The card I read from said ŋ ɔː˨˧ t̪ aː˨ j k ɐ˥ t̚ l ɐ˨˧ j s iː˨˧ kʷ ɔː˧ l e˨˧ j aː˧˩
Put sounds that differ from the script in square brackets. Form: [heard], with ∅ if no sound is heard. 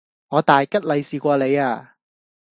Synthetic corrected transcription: ŋ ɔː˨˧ t̪ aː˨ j k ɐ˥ t̚ l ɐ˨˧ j s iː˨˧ kʷ ɔː˧ l e˨˧ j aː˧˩